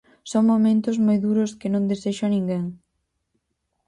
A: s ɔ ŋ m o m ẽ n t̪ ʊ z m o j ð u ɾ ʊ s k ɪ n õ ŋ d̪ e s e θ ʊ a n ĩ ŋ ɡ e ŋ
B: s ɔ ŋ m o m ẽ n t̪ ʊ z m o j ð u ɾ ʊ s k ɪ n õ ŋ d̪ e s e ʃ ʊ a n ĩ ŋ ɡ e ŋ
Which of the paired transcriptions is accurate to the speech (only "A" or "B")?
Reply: B